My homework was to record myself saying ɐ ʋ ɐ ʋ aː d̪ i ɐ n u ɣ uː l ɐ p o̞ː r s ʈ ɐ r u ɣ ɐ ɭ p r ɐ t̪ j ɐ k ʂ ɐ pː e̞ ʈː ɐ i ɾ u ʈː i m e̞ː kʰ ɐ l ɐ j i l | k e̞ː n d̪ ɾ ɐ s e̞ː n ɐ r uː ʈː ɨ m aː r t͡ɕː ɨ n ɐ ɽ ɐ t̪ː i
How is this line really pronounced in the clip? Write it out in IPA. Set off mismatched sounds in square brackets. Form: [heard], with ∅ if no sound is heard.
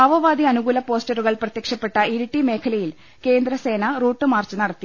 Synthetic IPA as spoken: ɐ ʋ ɐ ʋ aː d̪ i ɐ n u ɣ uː l ɐ p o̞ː [∅] s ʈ ɐ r u ɣ ɐ ɭ p r ɐ t̪ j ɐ k ʂ ɐ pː e̞ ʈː ɐ i ɾ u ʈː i m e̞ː kʰ ɐ l ɐ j i l | k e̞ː n d̪ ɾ ɐ s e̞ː n ɐ r uː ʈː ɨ m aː r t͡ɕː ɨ n ɐ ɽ ɐ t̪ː i